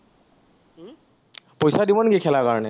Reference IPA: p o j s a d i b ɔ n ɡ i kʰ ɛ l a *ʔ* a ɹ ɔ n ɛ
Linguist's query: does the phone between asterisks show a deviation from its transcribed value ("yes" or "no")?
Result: yes